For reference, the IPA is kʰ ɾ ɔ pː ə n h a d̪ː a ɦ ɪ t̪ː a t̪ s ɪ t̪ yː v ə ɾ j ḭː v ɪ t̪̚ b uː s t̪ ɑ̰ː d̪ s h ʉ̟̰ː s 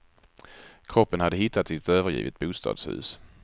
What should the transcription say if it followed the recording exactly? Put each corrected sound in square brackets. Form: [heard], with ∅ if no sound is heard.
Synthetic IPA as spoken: kʰ ɾ ɔ pː ə n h a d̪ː [ə] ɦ ɪ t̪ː a t̪ s ɪ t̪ [øː] v ə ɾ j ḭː v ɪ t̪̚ b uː s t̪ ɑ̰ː d̪ s h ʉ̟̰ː s